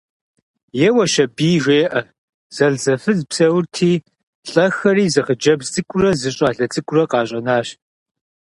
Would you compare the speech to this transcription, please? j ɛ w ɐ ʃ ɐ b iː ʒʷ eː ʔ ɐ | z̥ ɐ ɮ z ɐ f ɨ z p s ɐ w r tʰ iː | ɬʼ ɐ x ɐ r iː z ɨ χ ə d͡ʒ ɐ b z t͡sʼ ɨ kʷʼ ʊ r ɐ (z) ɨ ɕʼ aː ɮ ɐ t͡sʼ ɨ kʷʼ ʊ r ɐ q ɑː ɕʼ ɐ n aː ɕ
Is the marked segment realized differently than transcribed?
no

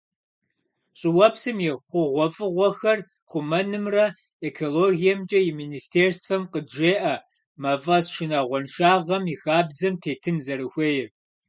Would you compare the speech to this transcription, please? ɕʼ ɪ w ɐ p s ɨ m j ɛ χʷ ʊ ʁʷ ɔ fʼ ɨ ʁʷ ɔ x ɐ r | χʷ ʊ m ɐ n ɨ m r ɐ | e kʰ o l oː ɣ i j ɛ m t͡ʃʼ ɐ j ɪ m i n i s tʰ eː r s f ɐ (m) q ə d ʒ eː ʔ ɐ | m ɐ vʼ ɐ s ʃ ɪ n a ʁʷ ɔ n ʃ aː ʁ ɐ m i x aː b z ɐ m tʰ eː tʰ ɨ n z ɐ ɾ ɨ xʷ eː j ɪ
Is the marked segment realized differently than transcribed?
no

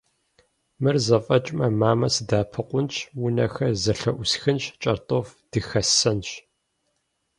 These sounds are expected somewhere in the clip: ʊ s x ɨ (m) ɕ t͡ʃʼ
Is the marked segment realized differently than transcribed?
yes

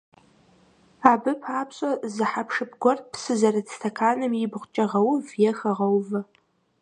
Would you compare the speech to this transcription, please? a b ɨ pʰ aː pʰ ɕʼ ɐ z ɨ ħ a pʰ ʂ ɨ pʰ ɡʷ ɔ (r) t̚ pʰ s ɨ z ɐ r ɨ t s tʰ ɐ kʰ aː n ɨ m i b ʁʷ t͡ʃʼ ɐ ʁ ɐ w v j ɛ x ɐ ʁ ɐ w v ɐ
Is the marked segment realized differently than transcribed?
no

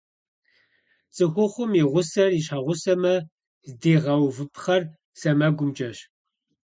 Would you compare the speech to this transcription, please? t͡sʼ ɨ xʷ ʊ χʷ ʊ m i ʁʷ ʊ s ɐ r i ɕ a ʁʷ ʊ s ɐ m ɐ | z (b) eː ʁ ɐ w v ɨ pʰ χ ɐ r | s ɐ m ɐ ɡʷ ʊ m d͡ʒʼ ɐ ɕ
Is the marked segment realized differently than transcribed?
yes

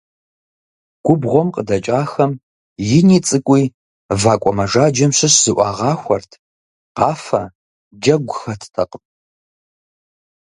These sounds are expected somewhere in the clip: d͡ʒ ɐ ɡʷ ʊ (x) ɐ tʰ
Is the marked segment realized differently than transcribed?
no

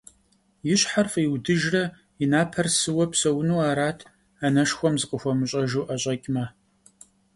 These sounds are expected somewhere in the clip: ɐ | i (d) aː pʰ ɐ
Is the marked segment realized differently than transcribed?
yes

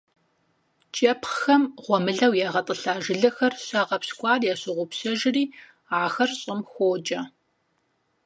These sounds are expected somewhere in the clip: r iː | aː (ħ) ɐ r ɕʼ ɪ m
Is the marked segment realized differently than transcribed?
yes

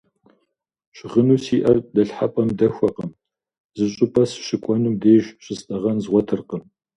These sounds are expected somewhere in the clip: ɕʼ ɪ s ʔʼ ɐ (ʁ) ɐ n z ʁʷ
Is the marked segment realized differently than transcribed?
no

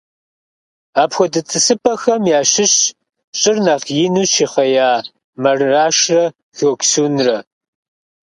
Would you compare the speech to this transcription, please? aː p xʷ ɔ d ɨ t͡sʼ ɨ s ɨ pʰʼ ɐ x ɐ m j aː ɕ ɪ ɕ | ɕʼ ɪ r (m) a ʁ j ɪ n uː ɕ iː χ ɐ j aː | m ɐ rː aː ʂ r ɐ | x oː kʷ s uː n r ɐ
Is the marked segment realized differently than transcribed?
yes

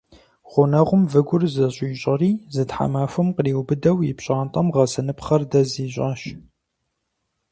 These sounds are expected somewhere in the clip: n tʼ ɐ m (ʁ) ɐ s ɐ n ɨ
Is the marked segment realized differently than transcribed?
no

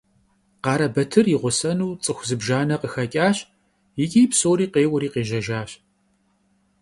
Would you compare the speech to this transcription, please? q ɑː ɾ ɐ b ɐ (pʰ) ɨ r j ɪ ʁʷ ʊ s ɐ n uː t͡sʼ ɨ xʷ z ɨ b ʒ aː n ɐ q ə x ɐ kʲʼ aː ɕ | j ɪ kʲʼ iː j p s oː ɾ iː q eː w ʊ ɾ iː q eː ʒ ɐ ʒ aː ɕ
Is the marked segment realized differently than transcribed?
yes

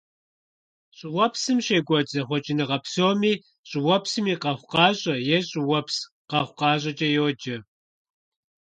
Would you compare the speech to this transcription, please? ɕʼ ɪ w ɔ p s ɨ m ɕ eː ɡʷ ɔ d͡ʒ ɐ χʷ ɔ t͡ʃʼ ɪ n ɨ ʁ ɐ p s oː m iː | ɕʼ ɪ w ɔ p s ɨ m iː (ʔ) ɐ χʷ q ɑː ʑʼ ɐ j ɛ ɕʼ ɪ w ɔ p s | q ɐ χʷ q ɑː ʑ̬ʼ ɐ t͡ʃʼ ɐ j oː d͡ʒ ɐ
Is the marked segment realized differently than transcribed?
yes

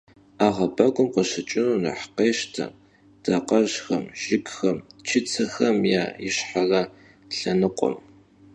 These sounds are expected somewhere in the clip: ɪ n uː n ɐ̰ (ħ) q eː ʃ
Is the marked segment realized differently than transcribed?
no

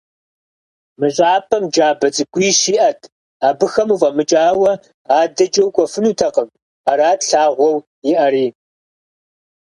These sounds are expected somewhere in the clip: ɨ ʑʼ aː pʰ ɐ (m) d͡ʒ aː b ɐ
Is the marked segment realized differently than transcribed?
no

